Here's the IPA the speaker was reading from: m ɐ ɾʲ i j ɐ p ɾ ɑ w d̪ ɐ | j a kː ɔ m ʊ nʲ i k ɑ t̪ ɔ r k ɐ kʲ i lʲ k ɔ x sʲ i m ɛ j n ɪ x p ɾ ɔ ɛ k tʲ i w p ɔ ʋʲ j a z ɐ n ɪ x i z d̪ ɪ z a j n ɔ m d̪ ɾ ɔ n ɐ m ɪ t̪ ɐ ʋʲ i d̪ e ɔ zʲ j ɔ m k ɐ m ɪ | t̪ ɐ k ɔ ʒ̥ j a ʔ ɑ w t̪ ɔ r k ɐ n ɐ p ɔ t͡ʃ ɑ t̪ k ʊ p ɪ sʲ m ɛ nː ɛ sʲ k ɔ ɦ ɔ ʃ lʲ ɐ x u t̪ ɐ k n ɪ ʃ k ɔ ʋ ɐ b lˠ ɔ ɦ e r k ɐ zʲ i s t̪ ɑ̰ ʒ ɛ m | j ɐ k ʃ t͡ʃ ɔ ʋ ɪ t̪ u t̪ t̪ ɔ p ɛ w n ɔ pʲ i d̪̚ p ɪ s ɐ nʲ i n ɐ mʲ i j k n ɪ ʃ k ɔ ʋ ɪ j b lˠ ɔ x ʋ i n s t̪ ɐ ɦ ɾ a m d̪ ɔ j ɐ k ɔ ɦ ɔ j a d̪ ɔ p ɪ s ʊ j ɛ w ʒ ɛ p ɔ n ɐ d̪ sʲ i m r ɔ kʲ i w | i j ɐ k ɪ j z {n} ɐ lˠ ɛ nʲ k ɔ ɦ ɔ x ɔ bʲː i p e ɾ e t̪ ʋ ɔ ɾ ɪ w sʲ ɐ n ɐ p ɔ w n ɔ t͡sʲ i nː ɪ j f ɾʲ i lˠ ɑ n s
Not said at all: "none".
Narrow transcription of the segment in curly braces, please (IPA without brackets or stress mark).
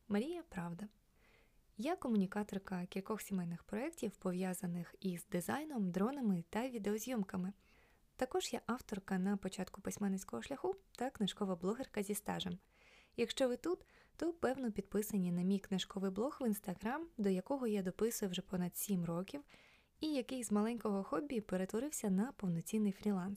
m